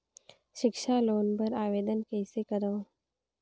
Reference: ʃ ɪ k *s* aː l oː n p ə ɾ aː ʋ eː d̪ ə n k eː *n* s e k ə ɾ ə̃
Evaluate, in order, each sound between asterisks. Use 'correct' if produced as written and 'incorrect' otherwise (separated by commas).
incorrect, incorrect